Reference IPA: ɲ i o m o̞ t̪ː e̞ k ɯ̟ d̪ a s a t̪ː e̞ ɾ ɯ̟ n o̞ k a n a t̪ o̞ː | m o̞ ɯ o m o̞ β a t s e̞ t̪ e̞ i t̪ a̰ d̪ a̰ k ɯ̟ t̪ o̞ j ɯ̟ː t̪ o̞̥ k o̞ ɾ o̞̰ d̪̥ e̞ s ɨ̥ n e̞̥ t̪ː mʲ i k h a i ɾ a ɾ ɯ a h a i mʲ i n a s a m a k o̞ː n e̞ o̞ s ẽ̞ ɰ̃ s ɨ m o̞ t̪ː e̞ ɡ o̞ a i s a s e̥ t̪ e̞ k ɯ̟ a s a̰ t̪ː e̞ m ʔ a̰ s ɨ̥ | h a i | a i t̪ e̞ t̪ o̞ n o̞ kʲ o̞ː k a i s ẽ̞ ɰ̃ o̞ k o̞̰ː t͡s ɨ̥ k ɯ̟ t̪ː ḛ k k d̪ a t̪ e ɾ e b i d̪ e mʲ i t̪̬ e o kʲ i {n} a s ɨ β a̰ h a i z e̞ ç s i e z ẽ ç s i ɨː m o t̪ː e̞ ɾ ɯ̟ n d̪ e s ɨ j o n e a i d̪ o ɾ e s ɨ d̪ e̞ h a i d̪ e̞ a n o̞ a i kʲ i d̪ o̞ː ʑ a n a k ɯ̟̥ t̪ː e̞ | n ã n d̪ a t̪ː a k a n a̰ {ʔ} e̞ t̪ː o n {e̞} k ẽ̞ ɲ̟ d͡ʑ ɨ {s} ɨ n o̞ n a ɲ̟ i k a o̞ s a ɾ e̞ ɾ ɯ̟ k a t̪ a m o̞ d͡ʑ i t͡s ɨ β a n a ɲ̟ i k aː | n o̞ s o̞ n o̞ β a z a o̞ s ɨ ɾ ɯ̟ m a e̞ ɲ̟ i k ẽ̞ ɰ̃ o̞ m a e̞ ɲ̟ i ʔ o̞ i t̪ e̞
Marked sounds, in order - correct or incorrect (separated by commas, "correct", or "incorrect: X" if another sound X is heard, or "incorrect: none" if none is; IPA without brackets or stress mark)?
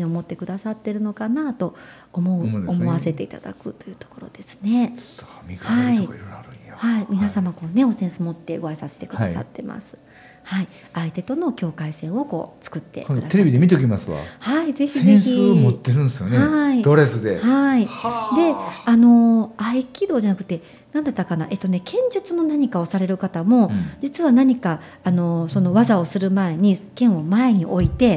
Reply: incorrect: m, correct, correct, incorrect: t͡s